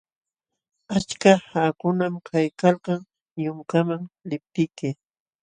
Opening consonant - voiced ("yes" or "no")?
no